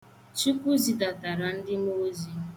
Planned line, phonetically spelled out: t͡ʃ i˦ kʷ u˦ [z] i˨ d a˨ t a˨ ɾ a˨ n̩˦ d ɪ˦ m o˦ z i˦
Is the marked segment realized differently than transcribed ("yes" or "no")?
no